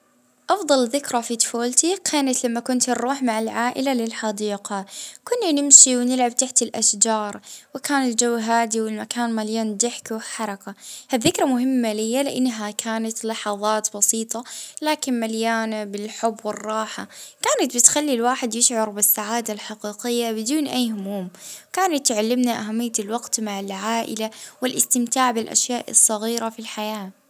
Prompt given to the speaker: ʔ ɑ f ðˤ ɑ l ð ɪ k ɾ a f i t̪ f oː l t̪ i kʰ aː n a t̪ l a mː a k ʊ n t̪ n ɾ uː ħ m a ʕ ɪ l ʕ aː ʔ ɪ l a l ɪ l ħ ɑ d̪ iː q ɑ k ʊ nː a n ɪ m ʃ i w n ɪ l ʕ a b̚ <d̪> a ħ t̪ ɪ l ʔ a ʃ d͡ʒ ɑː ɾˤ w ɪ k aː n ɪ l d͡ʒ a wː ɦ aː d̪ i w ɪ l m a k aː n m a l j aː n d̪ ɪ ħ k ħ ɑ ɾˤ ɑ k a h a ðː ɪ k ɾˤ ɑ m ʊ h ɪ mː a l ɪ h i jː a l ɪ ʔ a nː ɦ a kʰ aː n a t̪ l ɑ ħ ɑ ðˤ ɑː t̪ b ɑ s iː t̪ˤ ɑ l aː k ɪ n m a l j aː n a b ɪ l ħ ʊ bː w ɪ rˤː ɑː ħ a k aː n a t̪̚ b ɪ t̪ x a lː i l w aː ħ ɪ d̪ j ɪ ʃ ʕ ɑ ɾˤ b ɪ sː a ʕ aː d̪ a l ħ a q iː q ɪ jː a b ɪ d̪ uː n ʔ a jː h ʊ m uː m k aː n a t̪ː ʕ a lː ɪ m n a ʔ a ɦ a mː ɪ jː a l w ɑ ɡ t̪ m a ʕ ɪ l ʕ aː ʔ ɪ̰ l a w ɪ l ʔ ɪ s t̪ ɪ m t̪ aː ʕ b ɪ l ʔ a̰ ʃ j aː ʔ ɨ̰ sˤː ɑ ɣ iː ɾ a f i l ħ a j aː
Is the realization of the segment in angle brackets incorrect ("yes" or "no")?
yes